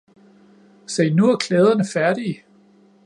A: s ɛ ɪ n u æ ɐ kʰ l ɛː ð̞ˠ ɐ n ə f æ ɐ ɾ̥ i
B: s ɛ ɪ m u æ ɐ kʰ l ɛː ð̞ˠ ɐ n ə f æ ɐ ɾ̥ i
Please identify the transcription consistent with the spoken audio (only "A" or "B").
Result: A